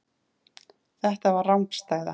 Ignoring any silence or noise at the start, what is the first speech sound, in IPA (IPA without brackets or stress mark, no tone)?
θ